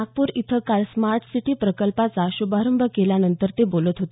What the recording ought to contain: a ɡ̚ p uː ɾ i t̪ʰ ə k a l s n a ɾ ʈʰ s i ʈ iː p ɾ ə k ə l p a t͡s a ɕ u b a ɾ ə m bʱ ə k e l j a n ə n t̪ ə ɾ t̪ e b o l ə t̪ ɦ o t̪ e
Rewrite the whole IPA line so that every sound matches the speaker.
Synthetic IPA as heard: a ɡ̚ p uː ɾ i t̪ʰ ə k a l s m a ɾ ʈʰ s i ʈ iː p ɾ ə k ə l p a t͡s a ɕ u b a ɾ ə m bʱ ə k e l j a n ə n t̪ ə ɾ t̪ e b o l ə t̪ ɦ o t̪ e